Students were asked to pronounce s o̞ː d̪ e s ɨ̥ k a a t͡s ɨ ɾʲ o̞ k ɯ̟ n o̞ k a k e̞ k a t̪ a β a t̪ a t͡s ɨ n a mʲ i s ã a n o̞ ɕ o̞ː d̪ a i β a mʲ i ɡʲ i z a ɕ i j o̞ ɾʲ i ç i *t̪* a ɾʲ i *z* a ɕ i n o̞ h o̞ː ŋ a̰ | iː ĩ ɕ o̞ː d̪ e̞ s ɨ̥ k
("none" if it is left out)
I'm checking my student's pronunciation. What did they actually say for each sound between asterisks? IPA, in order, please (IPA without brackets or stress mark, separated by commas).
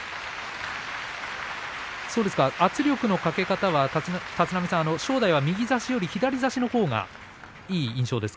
d̪, z